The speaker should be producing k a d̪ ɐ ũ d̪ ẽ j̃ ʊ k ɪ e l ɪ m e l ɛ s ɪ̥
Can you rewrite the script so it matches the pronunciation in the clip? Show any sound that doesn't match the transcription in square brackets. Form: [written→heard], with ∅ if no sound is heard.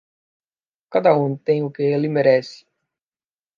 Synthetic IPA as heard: k a d̪ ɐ ũ [d̪→t̪] ẽ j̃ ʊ k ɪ e l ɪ m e [l→ɾ] ɛ s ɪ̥